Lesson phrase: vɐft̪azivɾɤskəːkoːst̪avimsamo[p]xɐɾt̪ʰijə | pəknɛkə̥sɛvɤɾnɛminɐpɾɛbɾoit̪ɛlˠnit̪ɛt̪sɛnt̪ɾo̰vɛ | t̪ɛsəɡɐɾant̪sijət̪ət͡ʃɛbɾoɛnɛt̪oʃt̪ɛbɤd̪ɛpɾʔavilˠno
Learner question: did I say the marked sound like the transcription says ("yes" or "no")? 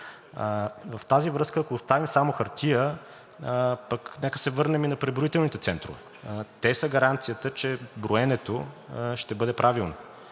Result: no